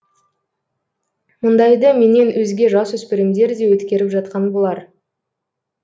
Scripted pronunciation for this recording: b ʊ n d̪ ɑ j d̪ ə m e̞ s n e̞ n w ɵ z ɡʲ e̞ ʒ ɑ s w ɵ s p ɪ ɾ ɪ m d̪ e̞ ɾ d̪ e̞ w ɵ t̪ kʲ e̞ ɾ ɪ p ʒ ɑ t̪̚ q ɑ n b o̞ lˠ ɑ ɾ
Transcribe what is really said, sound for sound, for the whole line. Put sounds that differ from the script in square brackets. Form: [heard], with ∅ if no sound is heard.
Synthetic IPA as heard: [m] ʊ n d̪ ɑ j d̪ ə m e̞ [∅] n e̞ n w ɵ z ɡʲ e̞ ʒ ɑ s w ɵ s p ɪ ɾ ɪ m d̪ e̞ ɾ d̪ e̞ w ɵ t̪ kʲ e̞ ɾ ɪ p ʒ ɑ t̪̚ q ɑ n b o̞ lˠ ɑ ɾ